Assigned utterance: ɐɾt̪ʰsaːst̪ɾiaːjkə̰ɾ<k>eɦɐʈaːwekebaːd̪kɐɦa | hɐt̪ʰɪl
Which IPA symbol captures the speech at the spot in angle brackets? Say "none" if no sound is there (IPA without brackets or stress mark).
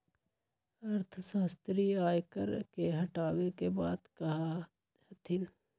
k